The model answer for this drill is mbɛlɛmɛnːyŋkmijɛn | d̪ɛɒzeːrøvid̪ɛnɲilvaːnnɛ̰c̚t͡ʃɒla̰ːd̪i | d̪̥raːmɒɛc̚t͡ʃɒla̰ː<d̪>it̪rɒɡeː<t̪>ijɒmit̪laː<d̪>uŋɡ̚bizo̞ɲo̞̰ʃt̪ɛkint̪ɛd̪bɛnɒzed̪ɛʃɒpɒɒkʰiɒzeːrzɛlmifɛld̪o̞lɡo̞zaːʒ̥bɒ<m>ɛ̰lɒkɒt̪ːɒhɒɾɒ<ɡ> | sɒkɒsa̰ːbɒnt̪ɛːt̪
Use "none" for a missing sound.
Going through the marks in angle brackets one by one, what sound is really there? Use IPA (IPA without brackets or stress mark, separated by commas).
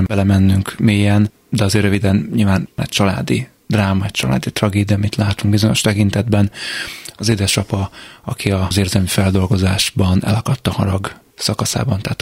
d̪, d̪, t̪, n, ɡ